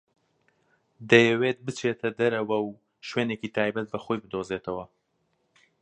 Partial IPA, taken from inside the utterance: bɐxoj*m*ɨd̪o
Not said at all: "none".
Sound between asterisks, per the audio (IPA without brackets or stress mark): b